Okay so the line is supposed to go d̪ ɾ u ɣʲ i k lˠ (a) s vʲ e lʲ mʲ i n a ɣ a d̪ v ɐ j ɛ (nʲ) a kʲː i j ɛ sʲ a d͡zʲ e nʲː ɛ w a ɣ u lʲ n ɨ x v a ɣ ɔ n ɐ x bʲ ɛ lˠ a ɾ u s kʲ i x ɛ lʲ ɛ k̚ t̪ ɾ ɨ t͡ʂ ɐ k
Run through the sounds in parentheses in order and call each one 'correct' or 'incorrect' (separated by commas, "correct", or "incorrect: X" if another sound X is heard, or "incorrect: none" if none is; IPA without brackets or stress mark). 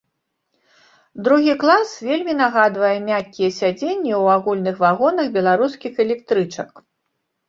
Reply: correct, incorrect: mʲ